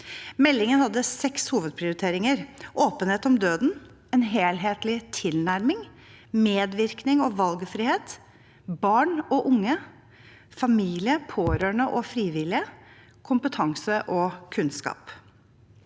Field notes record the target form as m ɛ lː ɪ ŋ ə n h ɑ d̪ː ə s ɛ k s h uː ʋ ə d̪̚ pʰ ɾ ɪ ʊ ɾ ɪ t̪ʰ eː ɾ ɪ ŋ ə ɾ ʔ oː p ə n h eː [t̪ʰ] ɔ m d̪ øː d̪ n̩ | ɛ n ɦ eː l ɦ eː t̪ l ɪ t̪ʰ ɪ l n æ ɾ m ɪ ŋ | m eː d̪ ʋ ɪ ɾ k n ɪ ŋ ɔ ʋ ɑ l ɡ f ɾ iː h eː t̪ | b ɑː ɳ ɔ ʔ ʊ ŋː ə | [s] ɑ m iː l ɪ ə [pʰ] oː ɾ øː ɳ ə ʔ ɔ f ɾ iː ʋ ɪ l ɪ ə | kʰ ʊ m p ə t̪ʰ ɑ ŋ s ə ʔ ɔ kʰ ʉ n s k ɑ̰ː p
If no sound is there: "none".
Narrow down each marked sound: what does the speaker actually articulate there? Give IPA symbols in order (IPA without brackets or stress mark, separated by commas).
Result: t̪, f, pʰ